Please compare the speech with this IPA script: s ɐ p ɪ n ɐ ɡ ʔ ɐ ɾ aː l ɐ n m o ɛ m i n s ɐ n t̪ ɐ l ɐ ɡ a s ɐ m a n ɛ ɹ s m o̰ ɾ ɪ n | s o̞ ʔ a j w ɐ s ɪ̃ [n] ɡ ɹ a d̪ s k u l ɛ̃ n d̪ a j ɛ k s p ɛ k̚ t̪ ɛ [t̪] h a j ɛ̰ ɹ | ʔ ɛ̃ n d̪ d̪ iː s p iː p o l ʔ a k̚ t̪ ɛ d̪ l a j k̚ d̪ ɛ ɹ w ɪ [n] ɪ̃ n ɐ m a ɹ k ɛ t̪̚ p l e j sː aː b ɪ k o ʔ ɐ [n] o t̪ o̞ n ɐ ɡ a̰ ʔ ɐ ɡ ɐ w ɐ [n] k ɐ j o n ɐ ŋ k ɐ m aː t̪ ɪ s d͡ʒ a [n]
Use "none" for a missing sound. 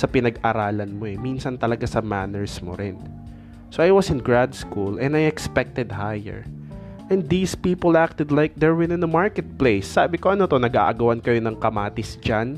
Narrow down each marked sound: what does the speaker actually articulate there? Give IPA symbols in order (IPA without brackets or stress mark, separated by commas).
n, d̪, n, n, n, n